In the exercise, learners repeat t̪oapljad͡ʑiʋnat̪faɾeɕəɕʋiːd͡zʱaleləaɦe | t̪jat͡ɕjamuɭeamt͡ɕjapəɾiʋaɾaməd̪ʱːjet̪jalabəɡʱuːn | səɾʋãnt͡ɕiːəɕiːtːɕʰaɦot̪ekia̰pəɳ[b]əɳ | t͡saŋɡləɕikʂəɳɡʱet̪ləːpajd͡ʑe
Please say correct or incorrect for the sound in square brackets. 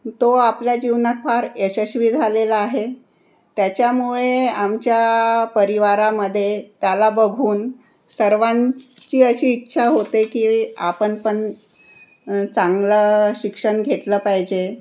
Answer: incorrect